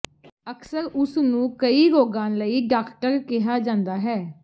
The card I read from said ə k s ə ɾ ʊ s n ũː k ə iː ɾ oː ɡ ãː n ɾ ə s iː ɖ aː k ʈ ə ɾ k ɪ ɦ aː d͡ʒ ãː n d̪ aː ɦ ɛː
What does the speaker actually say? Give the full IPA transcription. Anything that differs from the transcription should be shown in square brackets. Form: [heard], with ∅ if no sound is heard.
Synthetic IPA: ə k s ə ɾ ʊ s n ũː k ə iː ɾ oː ɡ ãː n [l] ə [∅] iː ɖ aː k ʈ ə ɾ k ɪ ɦ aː d͡ʒ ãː n d̪ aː ɦ ɛː

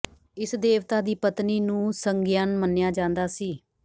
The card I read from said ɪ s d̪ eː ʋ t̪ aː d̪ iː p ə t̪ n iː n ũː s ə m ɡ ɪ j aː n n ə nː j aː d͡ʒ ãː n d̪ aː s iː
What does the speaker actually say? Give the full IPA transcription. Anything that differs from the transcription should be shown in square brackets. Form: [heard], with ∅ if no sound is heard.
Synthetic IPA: ɪ s d̪ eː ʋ t̪ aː d̪ iː p ə t̪ n iː n ũː s ə [ŋ] ɡ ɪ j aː n [m] ə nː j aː d͡ʒ ãː n d̪ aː s iː

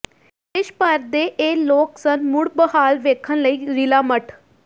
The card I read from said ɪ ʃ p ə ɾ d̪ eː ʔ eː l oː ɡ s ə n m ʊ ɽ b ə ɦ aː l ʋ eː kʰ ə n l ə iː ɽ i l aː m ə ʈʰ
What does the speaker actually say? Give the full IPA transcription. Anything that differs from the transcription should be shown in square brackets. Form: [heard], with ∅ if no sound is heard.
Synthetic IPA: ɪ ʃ p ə ɾ d̪ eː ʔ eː l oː [k] s ə n m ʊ ɽ b ə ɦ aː l ʋ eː kʰ ə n l ə iː [ɾ] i l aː m ə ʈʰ

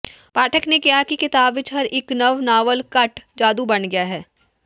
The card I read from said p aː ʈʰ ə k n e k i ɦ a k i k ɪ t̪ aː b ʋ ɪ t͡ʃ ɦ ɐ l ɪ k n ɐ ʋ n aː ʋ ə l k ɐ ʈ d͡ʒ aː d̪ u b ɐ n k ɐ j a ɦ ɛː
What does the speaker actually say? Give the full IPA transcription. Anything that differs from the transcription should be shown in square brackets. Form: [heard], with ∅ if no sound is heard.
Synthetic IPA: p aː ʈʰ ə k n e k i ɦ a k i k ɪ t̪ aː b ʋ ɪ t͡ʃ ɦ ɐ [ɾ] ɪ k n ɐ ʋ n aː ʋ ə l k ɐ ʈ d͡ʒ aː d̪ u b ɐ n [ɡ] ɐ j a ɦ ɛː

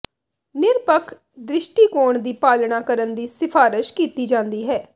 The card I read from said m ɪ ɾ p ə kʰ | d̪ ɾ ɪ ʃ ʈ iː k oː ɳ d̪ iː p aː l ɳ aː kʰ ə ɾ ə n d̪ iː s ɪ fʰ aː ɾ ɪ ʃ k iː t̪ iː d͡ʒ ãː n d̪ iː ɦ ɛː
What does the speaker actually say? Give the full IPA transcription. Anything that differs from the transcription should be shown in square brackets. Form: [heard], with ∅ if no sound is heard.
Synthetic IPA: [n] ɪ ɾ p ə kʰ | d̪ ɾ ɪ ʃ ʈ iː k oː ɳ d̪ iː p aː l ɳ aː [k] ə ɾ ə n d̪ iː s ɪ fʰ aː ɾ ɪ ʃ k iː t̪ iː d͡ʒ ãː n d̪ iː ɦ ɛː

